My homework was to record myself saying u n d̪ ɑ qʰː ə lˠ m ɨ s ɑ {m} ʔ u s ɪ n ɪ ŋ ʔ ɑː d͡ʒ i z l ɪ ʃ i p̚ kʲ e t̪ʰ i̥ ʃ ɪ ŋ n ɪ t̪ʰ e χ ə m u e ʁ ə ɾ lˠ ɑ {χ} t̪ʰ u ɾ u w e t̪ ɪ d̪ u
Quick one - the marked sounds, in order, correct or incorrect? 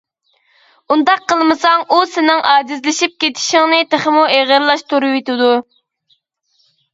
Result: incorrect, incorrect

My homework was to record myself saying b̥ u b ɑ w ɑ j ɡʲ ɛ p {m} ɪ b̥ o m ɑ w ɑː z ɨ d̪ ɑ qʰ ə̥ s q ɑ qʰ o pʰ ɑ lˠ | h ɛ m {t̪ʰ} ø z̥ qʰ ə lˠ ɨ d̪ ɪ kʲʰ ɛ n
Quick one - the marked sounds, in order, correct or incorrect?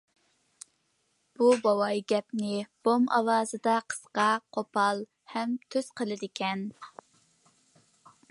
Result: incorrect, correct

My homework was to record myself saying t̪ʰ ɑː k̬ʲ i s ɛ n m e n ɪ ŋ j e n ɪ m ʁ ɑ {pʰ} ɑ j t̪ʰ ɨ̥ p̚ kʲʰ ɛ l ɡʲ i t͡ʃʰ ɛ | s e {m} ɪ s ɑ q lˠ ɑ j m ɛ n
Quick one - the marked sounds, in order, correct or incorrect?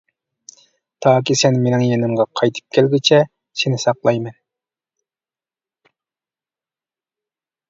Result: incorrect, incorrect

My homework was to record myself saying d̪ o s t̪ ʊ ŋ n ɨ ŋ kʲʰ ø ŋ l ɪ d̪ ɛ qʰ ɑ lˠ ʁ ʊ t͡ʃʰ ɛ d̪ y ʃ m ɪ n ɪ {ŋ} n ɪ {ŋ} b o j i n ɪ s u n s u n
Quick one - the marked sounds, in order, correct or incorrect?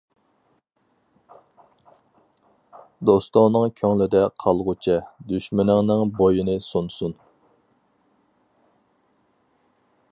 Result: correct, correct

